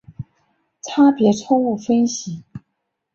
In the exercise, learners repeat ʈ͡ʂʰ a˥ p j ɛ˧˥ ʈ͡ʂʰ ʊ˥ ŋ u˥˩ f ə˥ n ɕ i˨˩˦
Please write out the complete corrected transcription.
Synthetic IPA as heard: ʈ͡ʂʰ a˥ p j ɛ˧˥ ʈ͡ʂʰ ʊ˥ ŋ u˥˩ f ə˥ n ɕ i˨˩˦